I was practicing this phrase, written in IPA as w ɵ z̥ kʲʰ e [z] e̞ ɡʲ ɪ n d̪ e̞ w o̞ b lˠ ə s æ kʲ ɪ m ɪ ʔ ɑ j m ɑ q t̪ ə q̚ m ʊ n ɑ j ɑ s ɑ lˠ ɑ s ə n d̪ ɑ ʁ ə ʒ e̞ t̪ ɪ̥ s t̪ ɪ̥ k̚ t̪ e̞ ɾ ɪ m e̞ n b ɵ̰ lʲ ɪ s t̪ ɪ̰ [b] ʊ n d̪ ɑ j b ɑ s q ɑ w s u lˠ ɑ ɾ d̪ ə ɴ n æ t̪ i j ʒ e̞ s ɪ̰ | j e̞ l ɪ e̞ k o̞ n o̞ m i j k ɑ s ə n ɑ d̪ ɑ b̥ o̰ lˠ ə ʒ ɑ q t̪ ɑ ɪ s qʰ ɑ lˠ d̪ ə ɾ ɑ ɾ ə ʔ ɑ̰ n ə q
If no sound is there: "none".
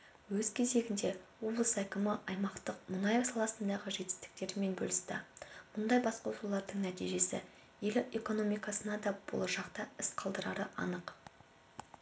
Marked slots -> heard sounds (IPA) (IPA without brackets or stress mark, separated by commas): z, m